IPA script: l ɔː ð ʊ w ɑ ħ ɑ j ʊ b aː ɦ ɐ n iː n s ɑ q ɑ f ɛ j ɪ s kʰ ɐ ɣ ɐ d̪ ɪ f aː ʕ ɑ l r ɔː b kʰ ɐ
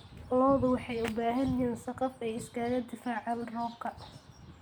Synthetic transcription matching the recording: l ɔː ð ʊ w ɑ ħ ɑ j ʊ b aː ɦ ɐ n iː n s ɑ q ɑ f ɛ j ɪ s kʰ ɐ ɣ ɐ d̪ ɪ f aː ʕ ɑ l r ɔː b kʰ ɐ